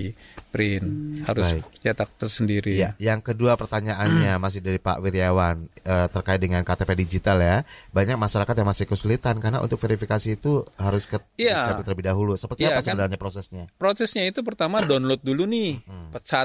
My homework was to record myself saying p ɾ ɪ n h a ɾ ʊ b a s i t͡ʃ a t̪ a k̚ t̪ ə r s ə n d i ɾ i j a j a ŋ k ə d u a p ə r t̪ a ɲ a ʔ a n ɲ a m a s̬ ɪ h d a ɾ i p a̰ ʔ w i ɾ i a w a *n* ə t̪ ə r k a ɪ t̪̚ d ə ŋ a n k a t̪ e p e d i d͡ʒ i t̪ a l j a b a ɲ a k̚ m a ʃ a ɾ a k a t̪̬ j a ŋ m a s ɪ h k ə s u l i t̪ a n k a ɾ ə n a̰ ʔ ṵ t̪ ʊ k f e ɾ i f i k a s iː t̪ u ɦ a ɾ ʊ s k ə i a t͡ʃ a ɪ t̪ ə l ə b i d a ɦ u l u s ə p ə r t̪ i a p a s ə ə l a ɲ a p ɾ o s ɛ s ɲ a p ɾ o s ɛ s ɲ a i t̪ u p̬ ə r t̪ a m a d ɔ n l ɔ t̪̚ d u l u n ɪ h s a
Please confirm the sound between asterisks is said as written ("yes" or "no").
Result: yes